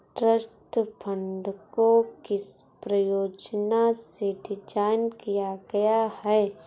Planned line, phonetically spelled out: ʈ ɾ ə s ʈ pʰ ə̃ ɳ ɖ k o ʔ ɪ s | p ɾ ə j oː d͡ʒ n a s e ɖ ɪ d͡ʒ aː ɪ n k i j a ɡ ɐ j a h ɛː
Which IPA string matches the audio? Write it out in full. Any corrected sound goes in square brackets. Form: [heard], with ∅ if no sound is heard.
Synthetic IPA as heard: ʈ ɾ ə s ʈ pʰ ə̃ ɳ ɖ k o [k] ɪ s | p ɾ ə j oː d͡ʒ n a s e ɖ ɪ d͡ʒ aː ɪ n k i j a ɡ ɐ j a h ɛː